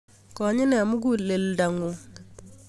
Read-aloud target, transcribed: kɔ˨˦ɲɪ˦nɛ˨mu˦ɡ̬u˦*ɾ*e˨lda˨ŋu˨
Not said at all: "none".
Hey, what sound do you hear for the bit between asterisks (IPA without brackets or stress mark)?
l